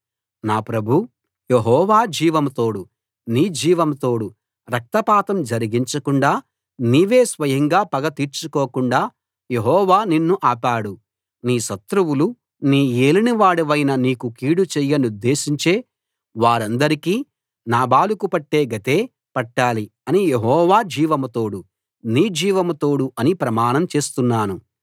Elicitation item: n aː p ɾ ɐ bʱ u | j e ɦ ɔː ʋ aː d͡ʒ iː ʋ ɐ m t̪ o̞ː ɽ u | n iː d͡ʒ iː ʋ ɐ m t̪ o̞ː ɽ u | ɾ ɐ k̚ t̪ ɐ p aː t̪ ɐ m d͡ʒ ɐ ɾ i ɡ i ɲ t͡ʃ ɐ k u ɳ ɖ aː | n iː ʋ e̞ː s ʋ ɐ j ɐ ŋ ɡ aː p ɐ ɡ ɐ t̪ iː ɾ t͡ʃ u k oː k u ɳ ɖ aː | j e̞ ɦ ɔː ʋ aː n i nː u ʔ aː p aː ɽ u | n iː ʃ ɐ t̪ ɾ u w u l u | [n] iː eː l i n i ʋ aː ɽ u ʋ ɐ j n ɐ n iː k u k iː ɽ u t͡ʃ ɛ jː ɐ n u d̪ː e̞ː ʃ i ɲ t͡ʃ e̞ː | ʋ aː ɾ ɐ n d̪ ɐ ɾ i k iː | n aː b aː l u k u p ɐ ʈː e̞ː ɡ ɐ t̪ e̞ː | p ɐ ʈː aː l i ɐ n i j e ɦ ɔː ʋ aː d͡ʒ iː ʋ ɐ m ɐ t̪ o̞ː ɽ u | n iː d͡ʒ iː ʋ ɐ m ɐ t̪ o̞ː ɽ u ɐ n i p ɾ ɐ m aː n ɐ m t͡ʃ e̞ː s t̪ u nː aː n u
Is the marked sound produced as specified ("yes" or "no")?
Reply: yes